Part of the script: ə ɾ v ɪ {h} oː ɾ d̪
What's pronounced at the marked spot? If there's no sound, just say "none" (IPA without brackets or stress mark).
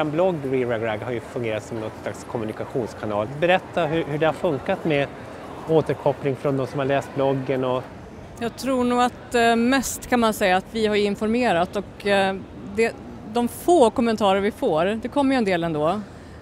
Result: f